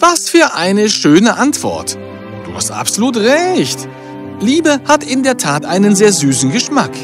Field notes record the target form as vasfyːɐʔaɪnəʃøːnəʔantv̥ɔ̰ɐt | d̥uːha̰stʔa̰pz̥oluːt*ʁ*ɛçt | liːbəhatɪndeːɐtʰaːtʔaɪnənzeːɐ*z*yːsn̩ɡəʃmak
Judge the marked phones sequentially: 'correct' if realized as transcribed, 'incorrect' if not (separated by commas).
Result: correct, correct